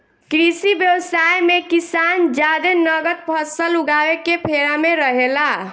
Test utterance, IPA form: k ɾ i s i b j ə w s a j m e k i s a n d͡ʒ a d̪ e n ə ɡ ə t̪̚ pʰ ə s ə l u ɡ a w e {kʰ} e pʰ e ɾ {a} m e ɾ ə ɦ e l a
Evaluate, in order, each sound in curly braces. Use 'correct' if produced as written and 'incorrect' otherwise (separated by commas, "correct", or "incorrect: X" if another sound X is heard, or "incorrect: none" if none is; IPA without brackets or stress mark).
incorrect: k, correct